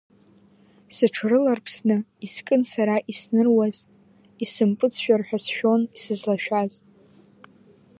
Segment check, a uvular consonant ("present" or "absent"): absent